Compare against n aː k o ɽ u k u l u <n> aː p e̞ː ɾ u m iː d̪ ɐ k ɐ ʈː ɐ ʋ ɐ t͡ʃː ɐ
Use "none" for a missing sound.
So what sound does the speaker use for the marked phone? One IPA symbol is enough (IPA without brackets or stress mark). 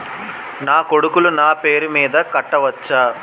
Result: n